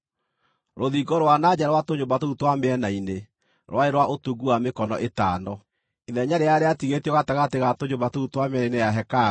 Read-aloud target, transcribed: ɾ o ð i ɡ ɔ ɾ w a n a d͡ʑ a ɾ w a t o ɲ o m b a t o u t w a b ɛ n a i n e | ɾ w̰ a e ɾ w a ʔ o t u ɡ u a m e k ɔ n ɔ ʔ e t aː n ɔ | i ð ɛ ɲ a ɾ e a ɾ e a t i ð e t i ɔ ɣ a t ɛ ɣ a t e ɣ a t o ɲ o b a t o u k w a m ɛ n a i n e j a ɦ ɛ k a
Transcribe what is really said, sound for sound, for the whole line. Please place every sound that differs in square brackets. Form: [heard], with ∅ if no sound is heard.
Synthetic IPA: ɾ o ð i ɡ ɔ ɾ w a n a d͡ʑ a ɾ w a t o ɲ o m b a t o u t w a [m] ɛ n a i n e | ɾ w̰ a e ɾ w a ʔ o t u ɡ u a m e k ɔ n ɔ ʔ e t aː n ɔ | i ð ɛ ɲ a ɾ e a ɾ e a t i [ɣ] e t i ɔ ɣ a t ɛ ɣ a t e ɣ a t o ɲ o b a t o u [t] w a m ɛ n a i n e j a ɦ ɛ k a